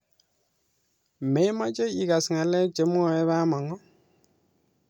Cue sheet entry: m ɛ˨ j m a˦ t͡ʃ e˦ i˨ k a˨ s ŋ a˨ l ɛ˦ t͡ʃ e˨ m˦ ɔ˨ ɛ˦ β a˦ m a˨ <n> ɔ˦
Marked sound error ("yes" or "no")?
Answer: yes